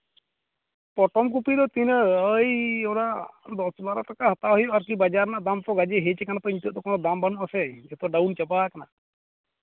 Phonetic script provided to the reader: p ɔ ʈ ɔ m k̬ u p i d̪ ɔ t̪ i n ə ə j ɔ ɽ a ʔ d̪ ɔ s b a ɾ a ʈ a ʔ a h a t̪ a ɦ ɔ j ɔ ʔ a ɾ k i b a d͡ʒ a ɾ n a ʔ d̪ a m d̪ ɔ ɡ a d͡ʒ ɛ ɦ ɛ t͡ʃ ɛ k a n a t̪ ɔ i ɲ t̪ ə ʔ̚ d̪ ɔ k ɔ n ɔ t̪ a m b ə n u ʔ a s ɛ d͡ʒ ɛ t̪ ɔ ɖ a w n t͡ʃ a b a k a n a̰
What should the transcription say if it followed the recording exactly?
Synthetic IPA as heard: p ɔ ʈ ɔ m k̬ u p i d̪ ɔ t̪ i n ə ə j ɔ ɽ a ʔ d̪ ɔ s b a ɾ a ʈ a k a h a t̪ a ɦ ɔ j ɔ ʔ a ɾ k i b a d͡ʒ a ɾ n a ʔ d̪ a m t̪ ɔ ɡ a d͡ʒ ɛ ɦ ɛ t͡ʃ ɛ k a n a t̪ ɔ i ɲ t̪ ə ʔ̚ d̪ ɔ k ɔ n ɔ d̪ a m b a n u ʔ a s ɛ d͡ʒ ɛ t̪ ɔ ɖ a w n t͡ʃ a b a k a n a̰